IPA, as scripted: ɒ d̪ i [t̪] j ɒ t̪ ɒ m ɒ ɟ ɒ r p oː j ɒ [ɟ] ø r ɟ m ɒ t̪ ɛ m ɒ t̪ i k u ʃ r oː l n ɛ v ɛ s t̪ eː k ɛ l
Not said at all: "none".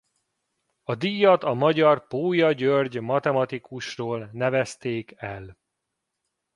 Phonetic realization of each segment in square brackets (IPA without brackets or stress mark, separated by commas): none, ɟ